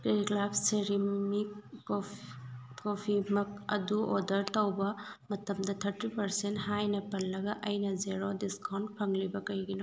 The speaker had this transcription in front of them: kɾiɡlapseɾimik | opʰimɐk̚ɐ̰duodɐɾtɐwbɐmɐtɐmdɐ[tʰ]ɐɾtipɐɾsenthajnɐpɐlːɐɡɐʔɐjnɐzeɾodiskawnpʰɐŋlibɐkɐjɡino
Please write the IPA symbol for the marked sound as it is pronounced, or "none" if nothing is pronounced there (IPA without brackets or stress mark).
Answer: tʰ